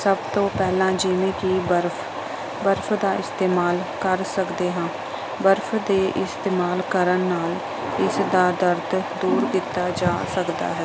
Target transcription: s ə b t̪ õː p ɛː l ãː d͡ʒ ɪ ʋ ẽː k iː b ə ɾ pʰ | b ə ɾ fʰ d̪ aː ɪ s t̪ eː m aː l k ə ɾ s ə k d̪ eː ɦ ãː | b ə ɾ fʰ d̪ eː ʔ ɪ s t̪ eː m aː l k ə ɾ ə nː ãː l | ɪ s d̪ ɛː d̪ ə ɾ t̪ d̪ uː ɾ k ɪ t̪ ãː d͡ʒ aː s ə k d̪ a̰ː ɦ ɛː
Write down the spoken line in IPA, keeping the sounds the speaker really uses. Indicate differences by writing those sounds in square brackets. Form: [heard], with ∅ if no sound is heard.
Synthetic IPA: s ə b t̪ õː p ɛː l ãː d͡ʒ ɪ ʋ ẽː k iː b ə ɾ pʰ | b ə ɾ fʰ d̪ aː ɪ s t̪ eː m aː l k ə ɾ s ə k d̪ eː ɦ ãː | b ə ɾ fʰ d̪ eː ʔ ɪ s t̪ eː m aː l k ə ɾ ə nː [aː] l | ɪ s d̪ [aː] d̪ ə ɾ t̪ d̪ uː ɾ k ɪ t̪ [aː] d͡ʒ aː s ə k d̪ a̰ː ɦ ɛː